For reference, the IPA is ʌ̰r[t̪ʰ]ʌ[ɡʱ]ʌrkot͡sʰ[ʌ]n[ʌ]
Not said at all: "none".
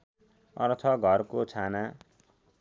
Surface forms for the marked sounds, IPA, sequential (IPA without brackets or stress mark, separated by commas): t̪ʰ, ɡʱ, a, a